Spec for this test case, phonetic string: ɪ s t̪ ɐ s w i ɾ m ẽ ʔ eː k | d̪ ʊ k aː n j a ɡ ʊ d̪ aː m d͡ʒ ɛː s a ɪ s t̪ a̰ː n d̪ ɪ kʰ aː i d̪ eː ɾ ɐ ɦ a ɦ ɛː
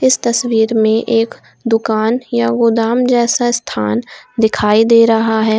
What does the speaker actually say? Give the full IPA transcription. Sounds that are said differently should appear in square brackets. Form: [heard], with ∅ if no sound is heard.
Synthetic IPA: ɪ s t̪ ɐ s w [iː] ɾ m ẽ ʔ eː k | d̪ ʊ k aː n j a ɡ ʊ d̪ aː m d͡ʒ ɛː s a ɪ s [t̪ʰ] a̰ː n d̪ ɪ kʰ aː i d̪ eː ɾ ɐ ɦ a ɦ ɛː